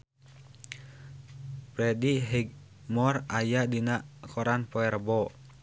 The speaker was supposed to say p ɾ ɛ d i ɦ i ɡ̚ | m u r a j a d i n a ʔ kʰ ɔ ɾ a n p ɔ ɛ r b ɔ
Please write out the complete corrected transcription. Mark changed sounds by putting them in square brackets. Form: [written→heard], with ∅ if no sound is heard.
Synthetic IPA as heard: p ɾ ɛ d i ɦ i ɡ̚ | m [u→ɔ] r a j a d i n a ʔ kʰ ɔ ɾ a n p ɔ ɛ r b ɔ